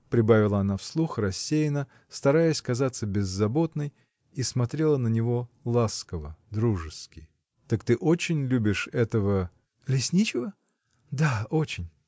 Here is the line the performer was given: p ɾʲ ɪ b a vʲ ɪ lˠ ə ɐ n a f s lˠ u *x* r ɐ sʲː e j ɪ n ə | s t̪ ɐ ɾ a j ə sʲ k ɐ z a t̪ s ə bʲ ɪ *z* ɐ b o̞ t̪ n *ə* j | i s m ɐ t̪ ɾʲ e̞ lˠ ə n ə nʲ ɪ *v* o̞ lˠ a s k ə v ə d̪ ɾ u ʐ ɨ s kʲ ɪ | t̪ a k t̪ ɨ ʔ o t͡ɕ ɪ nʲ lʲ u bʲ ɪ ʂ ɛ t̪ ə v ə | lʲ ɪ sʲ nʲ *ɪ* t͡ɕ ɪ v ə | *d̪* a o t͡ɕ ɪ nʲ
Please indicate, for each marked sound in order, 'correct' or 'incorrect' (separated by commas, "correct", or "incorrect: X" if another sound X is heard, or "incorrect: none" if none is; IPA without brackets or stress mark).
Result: correct, incorrect: zː, correct, correct, incorrect: i, correct